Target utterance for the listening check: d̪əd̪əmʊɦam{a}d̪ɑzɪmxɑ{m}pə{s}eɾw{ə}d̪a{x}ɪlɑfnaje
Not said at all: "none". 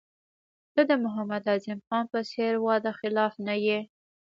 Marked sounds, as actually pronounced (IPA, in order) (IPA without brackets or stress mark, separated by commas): a, n, s, ɑ, x